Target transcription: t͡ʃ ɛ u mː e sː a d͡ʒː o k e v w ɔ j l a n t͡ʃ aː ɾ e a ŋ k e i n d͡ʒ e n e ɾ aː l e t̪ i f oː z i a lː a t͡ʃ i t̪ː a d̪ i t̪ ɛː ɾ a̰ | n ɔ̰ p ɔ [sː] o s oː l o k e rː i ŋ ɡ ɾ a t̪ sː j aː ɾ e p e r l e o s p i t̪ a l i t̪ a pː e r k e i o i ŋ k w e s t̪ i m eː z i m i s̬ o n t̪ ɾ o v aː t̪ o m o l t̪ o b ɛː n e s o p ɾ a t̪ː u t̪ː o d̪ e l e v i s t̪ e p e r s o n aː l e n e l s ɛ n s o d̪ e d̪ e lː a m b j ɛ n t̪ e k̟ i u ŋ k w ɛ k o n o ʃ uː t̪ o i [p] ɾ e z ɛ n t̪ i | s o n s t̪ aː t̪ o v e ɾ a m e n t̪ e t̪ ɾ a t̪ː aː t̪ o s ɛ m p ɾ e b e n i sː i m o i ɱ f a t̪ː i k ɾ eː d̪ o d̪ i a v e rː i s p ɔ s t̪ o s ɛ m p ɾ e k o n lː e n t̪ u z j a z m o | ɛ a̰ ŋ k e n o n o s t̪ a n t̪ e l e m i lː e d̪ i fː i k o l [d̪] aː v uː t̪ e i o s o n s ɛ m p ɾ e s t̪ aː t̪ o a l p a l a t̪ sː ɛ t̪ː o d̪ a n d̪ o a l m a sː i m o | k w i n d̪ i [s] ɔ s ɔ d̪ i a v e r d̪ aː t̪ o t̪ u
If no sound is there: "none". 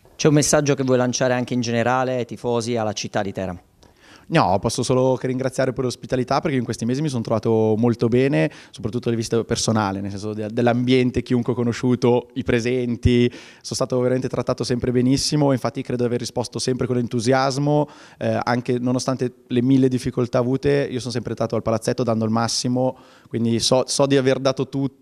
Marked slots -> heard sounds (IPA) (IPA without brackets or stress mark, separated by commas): sː, p, t̪, s